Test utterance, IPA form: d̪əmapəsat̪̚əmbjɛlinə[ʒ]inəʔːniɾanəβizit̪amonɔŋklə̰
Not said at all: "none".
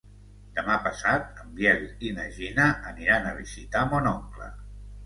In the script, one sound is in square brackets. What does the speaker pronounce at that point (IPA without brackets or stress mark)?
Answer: ʒ